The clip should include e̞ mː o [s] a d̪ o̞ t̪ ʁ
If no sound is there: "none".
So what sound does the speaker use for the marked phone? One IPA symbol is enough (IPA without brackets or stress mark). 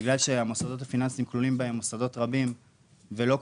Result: s